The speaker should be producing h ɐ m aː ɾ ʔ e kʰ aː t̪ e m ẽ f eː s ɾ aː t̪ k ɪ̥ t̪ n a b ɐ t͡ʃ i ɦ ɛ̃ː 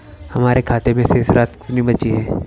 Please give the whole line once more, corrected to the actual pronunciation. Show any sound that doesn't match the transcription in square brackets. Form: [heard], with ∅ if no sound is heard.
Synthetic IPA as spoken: h ɐ m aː ɾ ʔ e kʰ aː t̪ e m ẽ [s] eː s ɾ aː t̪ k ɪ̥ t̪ n [i] b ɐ t͡ʃ i ɦ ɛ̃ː

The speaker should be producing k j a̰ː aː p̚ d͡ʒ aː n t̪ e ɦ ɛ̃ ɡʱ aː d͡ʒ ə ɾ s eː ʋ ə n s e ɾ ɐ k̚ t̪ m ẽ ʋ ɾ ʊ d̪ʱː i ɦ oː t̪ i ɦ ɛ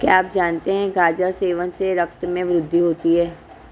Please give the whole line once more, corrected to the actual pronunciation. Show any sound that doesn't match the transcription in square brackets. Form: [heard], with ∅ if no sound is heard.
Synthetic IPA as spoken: k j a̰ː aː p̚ d͡ʒ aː n t̪ e ɦ ɛ̃ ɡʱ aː d͡ʒ ə ɾ s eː ʋ ə n s e ɾ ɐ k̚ t̪ m ẽ ʋ ɾ ʊ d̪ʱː i ɦ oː t̪ i ɦ [ɛː]

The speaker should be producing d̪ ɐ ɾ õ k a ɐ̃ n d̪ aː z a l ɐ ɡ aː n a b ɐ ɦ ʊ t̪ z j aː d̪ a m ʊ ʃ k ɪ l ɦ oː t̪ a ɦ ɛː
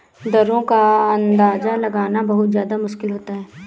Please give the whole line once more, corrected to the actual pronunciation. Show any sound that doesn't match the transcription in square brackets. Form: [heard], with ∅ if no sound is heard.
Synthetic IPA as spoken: d̪ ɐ ɾ õ k a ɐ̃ n d̪ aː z a l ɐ ɡ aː n a b ɐ ɦ ʊ t̪ z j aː d̪ a m ʊ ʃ k ɪ l ɦ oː t̪ a ɦ ɛː

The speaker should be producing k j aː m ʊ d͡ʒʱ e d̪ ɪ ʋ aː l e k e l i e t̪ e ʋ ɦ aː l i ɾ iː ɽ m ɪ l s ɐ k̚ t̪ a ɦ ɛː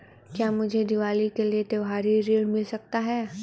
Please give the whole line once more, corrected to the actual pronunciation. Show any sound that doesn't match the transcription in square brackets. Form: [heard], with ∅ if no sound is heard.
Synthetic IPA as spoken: k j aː m ʊ d͡ʒʱ e d̪ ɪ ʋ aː l [i] k e l i e t̪ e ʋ ɦ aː [ɾ] i ɾ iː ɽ m ɪ l s ɐ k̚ t̪ a ɦ ɛː

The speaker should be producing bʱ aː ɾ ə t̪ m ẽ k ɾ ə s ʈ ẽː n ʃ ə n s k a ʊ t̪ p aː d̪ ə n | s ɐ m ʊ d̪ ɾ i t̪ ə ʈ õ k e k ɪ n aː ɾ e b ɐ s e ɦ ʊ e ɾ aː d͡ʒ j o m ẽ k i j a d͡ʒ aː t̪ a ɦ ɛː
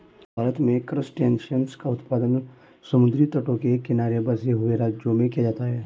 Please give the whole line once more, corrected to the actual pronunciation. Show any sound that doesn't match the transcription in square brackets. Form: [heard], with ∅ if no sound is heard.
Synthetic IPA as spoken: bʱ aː ɾ ə t̪ m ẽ k ɾ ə s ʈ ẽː n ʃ ə n s k a ʊ t̪ p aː d̪ ə n | s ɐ m ʊ d̪ ɾ i t̪ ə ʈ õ k e k ɪ n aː ɾ e b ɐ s e ɦ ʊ e ɾ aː d͡ʒ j o m ẽ k i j a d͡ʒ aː t̪ a ɦ ɛː

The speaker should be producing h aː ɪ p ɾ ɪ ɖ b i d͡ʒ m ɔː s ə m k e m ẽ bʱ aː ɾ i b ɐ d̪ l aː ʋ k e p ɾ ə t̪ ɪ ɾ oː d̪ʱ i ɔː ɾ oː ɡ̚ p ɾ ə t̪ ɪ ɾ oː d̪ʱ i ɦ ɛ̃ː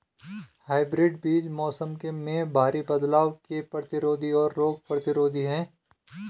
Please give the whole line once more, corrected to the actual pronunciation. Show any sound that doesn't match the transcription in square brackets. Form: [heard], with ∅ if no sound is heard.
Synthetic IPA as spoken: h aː ɪ [b] ɾ ɪ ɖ b [iː] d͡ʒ m ɔː s ə m k e m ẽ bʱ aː ɾ i b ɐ d̪ l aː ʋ k e p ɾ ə t̪ ɪ ɾ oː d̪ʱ i ɔː [ɾː] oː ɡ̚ p ɾ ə t̪ ɪ ɾ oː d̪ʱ i ɦ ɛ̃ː

